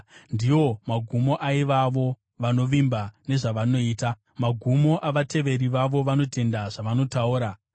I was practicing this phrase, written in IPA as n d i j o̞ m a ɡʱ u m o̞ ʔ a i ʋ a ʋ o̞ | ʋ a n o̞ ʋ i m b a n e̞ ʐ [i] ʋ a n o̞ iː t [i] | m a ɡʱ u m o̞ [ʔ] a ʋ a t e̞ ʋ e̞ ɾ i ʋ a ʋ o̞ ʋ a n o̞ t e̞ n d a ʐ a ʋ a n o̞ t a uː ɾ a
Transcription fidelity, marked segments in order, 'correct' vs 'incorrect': incorrect: a, incorrect: a, correct

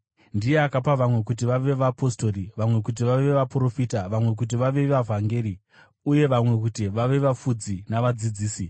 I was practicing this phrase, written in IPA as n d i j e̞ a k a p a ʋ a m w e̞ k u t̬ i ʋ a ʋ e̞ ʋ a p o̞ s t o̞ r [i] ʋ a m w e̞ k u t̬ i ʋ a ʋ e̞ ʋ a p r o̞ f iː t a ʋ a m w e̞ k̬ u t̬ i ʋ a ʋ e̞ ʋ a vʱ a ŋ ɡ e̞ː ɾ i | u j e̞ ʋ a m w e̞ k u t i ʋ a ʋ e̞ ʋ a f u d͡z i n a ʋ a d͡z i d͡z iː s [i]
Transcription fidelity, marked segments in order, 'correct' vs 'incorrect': correct, correct

